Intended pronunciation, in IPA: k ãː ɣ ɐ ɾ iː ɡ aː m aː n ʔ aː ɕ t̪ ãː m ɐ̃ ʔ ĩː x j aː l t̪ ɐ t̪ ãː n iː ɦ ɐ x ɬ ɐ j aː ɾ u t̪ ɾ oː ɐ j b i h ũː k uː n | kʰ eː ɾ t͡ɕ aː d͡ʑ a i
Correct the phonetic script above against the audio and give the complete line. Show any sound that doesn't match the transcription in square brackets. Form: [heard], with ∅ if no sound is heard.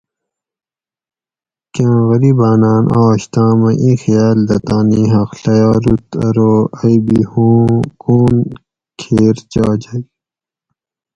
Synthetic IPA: k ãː ɣ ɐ ɾ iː [b] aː [n] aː n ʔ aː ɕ t̪ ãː m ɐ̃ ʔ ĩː x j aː l [d̪] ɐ t̪ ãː n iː ɦ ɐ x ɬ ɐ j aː ɾ u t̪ ɾ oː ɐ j b i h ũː k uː n | kʰ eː ɾ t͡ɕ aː d͡ʑ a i